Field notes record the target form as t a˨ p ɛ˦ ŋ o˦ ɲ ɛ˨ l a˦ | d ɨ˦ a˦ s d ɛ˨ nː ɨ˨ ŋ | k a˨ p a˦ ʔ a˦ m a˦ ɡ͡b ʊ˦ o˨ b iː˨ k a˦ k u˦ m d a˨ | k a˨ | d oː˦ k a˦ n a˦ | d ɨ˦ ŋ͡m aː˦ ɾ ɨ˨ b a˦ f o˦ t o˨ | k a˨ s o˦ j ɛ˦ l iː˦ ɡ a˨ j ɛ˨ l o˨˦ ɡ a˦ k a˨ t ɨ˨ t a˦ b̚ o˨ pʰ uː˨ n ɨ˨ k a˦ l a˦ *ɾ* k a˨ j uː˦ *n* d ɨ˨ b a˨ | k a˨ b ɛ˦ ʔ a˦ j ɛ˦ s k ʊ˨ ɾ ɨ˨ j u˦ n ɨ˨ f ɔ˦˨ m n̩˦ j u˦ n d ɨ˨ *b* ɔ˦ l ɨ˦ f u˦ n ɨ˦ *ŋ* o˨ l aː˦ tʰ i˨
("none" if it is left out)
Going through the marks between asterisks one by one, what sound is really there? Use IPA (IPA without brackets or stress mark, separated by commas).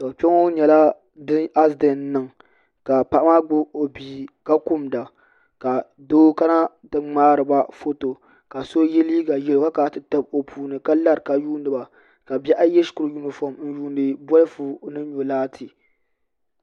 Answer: ɾ, n, b, ɲ